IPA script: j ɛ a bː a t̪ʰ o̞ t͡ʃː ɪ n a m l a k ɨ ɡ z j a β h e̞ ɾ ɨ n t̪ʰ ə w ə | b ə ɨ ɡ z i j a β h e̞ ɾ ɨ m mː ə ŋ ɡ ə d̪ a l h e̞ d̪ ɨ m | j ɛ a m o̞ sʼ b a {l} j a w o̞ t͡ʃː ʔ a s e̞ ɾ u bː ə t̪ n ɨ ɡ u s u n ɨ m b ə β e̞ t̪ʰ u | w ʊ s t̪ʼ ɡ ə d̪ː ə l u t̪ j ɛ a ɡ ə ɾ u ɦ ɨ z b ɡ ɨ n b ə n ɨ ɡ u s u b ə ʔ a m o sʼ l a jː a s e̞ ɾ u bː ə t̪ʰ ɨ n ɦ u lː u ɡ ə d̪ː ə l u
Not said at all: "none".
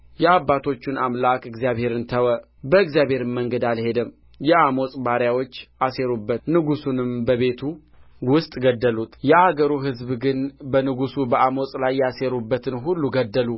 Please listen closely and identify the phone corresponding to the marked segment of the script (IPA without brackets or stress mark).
ɾ